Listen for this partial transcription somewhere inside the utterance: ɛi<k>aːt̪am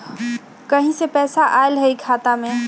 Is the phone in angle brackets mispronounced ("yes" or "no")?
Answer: yes